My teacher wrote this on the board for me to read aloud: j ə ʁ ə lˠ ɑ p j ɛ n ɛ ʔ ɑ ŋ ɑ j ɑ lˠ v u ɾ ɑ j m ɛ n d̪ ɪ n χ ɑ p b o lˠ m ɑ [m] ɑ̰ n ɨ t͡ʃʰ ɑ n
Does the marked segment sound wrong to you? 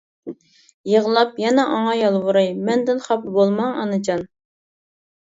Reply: yes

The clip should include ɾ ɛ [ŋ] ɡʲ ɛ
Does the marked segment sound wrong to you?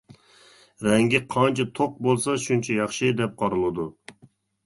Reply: no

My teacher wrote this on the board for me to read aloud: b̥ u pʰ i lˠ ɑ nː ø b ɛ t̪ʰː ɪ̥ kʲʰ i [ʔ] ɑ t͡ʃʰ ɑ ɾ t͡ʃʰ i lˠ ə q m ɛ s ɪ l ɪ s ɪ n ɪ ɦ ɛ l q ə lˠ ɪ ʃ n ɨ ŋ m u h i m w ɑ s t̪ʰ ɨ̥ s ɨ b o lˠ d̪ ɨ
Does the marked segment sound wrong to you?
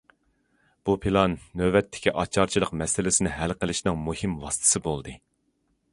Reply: no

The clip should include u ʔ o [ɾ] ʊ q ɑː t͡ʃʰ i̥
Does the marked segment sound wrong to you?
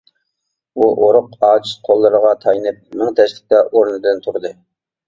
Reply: no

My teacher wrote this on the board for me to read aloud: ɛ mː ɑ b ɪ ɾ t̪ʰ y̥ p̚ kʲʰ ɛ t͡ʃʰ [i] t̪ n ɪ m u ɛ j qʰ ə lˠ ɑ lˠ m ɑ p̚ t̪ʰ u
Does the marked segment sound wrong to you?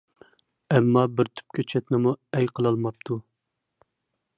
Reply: yes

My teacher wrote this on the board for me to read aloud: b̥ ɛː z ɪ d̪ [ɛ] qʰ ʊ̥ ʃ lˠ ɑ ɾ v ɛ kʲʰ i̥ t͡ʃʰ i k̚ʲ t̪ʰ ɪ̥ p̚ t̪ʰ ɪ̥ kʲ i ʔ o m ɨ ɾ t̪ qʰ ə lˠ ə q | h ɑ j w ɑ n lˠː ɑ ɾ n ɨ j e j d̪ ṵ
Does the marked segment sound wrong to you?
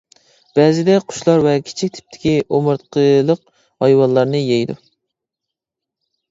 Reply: no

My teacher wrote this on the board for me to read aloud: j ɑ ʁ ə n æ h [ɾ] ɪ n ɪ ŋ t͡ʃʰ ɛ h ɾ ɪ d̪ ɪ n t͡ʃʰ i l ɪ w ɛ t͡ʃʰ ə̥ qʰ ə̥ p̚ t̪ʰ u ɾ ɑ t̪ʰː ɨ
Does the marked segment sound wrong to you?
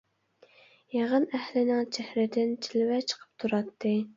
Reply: yes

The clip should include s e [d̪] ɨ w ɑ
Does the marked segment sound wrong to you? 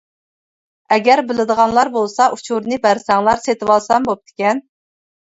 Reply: yes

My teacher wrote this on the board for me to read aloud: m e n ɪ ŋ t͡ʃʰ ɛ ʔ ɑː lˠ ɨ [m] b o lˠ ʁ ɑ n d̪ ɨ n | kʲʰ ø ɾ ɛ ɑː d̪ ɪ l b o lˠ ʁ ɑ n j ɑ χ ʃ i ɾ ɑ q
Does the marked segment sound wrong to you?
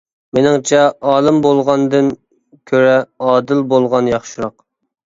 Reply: no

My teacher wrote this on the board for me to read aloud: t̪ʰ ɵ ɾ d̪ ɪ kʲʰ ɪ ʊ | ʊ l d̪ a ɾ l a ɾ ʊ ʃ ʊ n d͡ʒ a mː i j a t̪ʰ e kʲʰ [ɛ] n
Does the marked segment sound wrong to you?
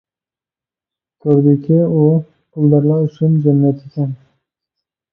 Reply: yes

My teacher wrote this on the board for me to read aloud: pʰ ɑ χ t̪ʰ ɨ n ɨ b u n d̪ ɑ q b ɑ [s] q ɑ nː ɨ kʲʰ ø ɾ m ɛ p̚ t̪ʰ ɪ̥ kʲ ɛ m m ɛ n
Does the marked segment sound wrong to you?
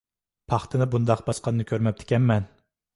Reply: no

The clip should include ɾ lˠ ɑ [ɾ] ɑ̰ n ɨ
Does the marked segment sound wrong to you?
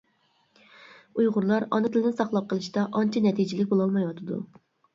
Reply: no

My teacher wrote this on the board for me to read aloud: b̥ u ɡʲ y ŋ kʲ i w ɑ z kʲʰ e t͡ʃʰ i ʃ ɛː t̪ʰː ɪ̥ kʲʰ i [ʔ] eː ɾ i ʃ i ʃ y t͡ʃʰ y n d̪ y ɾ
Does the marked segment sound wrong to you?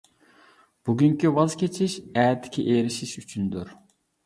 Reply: no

